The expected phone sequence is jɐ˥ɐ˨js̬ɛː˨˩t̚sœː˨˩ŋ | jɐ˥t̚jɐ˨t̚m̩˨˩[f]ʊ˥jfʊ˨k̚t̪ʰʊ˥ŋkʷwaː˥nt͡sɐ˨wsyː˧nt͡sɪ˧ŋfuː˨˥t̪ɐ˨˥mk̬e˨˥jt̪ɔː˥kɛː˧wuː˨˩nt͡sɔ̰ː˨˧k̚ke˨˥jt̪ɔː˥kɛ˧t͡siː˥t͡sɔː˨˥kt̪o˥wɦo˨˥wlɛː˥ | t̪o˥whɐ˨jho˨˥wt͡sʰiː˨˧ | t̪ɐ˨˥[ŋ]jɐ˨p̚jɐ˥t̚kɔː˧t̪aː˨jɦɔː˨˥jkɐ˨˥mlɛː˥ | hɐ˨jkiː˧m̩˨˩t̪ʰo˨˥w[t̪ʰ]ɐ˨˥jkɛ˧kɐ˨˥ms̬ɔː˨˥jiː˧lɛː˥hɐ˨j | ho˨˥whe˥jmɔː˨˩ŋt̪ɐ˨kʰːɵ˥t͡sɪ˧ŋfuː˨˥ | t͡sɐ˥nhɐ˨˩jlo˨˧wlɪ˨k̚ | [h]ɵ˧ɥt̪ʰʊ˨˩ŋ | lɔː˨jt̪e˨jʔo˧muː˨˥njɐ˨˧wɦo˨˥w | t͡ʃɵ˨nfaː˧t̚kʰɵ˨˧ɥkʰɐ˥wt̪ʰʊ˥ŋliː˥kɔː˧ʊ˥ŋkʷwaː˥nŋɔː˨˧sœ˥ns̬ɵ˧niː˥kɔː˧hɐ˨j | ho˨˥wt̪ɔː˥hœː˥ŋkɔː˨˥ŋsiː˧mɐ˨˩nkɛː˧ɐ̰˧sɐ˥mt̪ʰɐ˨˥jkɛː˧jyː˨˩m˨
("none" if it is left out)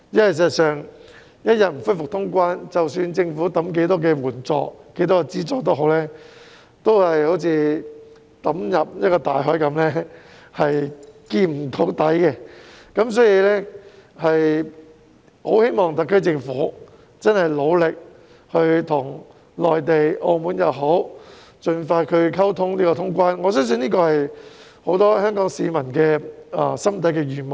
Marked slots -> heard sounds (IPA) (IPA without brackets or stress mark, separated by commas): f, m, t̪, h